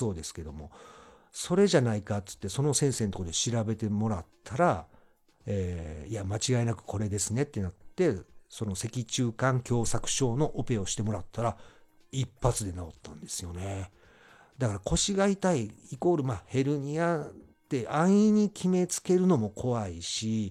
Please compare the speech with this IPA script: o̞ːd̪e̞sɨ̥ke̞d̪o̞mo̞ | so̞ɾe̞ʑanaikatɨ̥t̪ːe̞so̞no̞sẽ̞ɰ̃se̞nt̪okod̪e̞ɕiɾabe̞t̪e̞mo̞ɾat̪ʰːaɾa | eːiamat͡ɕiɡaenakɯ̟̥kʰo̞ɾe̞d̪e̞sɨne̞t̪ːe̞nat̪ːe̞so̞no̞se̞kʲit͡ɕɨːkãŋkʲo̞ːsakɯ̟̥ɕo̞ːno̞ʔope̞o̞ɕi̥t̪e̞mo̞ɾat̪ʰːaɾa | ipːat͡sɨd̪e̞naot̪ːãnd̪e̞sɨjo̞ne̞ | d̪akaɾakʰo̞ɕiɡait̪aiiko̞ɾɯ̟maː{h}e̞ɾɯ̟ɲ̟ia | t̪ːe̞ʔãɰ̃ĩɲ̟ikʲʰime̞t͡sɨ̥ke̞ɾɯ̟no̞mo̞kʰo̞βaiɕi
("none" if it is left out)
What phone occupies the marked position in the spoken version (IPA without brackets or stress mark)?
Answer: h